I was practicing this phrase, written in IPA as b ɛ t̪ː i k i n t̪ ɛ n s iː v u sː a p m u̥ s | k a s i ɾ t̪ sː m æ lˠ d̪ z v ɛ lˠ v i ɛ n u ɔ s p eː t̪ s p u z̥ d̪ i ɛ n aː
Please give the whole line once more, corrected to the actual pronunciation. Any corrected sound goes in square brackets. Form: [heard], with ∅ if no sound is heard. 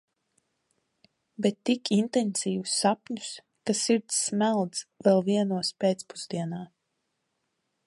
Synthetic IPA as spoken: b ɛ t̪ː i k i n t̪ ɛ n s iː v u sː a p [ɲ] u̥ s | k a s i ɾ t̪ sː m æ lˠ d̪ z v ɛ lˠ v i ɛ n u ɔ s p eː t̪ s p u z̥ d̪ i ɛ n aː